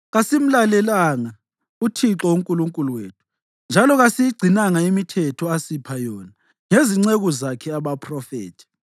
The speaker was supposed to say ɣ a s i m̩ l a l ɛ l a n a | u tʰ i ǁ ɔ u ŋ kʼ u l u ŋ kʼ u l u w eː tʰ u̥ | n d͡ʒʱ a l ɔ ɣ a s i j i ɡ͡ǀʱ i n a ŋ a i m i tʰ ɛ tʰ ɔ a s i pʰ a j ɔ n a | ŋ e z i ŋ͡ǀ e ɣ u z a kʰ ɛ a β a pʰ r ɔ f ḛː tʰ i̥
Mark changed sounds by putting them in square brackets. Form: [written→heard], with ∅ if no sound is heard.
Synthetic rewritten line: ɣ a s i m̩ l a l ɛ l a [n→ŋ] a | u tʰ i ǁ ɔ u ŋ kʼ u l u ŋ kʼ u l u w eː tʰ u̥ | n d͡ʒʱ a l ɔ ɣ a s i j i ɡ͡ǀʱ i n a ŋ a i m i tʰ ɛ tʰ ɔ a s i pʰ a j ɔ n a | ŋ e z i ŋ͡ǀ e ɣ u z a kʰ ɛ a β a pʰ r ɔ f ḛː tʰ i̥